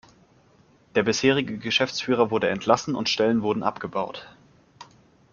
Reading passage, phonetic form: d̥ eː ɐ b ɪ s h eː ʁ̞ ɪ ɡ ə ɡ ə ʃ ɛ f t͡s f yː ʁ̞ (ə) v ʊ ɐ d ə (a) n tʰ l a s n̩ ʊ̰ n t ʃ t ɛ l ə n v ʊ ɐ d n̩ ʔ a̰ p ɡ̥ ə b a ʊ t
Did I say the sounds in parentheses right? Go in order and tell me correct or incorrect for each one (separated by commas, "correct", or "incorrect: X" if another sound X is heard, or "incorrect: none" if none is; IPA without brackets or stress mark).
incorrect: ɐ, incorrect: ɛ